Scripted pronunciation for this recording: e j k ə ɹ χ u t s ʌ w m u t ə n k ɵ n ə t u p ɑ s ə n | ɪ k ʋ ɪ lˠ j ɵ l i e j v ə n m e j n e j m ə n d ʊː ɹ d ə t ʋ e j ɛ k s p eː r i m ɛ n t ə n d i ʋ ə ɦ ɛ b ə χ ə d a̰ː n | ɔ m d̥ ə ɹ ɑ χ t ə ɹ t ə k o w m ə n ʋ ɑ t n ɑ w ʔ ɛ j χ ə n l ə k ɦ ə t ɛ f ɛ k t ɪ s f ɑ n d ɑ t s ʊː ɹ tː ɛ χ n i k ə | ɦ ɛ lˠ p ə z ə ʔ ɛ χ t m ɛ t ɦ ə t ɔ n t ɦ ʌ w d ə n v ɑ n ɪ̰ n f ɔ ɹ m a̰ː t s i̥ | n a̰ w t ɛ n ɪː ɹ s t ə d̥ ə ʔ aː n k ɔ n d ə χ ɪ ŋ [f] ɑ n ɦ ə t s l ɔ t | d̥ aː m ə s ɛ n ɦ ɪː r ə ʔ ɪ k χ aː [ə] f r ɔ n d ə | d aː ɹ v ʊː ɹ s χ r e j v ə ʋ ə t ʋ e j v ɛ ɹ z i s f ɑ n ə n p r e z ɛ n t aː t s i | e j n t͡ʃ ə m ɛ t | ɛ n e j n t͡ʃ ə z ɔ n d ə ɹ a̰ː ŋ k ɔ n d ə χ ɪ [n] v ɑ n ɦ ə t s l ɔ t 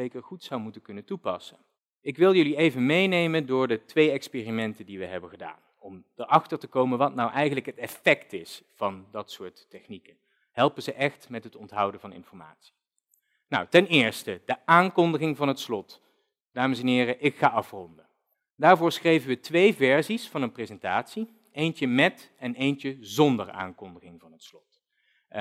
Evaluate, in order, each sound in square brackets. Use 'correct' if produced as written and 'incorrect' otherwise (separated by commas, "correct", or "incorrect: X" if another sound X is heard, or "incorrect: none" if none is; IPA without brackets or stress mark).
incorrect: v, incorrect: ɑ, incorrect: ŋ